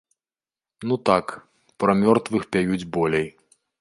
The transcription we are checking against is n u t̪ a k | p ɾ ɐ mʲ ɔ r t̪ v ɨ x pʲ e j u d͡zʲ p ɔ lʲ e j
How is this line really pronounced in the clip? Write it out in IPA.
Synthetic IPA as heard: n u t̪ a k | p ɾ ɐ mʲ ɔ r t̪ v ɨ x pʲ a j u d͡zʲ b ɔ lʲ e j